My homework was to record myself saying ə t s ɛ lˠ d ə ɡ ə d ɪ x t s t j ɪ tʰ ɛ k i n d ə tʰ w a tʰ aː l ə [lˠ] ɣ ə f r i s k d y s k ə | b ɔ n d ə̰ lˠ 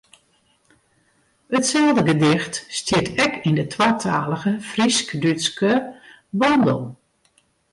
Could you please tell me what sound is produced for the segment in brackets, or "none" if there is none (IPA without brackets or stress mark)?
none